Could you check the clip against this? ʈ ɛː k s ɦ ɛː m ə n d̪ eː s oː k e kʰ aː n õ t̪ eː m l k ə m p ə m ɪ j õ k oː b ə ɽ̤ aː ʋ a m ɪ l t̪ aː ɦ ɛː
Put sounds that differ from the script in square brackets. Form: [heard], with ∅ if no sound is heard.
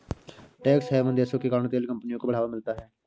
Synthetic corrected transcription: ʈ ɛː k s ɦ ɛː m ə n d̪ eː s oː k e [k] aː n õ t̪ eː [∅] l k ə m p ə [n] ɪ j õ k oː b ə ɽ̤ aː ʋ a m ɪ l t̪ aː ɦ ɛː